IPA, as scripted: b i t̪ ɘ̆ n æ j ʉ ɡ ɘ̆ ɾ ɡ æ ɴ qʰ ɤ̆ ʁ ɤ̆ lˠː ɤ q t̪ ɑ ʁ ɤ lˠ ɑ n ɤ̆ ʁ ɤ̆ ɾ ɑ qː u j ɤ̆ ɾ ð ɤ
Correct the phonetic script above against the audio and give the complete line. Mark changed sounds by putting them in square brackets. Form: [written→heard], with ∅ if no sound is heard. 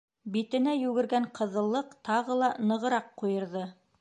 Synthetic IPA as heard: b i t̪ ɘ̆ n æ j ʉ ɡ ɘ̆ ɾ ɡ æ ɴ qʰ ɤ̆ [ʁ→ð] ɤ̆ lˠː ɤ q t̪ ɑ ʁ ɤ lˠ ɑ n ɤ̆ ʁ ɤ̆ ɾ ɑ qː u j ɤ̆ ɾ ð ɤ

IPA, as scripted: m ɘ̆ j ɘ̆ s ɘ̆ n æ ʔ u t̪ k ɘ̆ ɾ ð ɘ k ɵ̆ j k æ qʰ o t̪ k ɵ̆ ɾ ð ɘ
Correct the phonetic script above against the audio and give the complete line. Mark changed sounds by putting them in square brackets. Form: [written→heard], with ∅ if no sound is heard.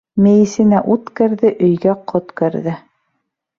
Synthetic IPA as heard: m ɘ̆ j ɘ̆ s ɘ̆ n æ ʔ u t̪ k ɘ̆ ɾ ð ɘ [k→ʔ] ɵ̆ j [k→ɡ] æ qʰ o t̪ k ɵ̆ ɾ ð ɘ

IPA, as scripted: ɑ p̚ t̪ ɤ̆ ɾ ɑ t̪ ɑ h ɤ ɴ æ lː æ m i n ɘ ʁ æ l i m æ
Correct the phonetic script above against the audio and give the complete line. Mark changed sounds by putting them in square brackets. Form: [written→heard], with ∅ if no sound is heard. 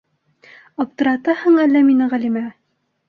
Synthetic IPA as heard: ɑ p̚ t̪ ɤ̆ ɾ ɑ t̪ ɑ h ɤ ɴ æ lː æ m i n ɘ ʁ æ l i m æ

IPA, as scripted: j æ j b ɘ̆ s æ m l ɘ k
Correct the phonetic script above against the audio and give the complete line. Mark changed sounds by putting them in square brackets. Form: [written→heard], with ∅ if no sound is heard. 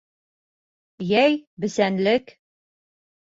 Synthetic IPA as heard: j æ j b ɘ̆ s æ [m→n] l ɘ k

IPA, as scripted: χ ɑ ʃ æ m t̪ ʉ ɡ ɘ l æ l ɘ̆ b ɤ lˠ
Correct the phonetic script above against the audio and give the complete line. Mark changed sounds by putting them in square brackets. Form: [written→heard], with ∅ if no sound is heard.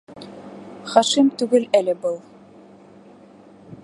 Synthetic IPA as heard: χ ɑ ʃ [æ→i] m t̪ ʉ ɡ ɘ l æ l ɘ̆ b ɤ lˠ

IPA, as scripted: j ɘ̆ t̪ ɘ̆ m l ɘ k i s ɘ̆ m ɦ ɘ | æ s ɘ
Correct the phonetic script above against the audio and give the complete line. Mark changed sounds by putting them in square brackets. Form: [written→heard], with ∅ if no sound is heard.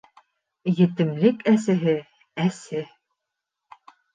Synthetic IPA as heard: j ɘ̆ t̪ ɘ̆ m l ɘ k [i→æ] s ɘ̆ [m→∅] ɦ ɘ | æ s ɘ

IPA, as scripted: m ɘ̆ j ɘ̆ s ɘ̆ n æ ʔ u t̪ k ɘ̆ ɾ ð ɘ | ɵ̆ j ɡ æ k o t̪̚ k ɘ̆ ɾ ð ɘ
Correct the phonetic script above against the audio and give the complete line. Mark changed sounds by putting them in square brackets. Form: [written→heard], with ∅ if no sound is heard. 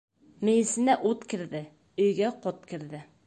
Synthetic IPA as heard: m ɘ̆ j ɘ̆ s ɘ̆ n æ ʔ u t̪ k ɘ̆ ɾ ð ɘ | ɵ̆ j ɡ æ [k→q] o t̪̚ k ɘ̆ ɾ ð ɘ

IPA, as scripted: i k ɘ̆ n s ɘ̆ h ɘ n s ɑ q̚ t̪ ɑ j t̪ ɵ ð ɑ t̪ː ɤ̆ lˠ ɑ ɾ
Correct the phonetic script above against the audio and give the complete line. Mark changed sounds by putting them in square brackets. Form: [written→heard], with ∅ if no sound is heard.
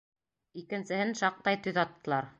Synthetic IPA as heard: i k ɘ̆ n s ɘ̆ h ɘ n [s→ʃ] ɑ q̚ t̪ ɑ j t̪ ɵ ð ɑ t̪ː ɤ̆ lˠ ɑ ɾ

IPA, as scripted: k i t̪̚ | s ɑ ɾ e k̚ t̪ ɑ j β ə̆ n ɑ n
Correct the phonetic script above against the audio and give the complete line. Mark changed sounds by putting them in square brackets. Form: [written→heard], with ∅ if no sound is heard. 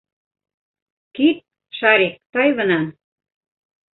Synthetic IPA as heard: k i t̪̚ | [s→ʃ] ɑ ɾ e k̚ t̪ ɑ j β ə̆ n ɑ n

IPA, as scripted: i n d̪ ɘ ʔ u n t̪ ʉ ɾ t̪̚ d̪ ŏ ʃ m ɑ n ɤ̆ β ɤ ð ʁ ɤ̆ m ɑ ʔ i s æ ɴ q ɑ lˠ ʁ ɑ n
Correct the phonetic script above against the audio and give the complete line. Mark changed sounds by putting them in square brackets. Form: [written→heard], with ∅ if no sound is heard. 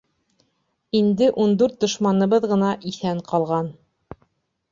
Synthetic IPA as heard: i n d̪ ɘ ʔ u n [t̪→d̪] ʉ ɾ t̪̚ d̪ ŏ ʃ m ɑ n ɤ̆ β ɤ ð ʁ ɤ̆ [m→n] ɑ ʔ i [s→θ] æ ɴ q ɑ lˠ ʁ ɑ n

